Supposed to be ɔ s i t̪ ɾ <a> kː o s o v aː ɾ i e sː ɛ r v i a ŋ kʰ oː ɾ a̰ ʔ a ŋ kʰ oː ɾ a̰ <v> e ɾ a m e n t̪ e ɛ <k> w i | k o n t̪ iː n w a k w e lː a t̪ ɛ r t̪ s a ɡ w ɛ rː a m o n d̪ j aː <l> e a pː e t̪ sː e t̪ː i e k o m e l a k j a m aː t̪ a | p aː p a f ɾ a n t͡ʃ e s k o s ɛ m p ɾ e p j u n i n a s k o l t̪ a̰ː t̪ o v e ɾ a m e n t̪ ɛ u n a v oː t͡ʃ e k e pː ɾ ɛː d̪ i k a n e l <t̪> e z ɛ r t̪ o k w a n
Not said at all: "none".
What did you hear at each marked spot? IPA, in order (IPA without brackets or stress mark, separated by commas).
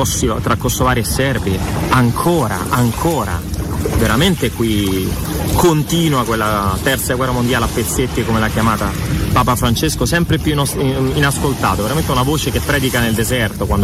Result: a, v, k, l, d̪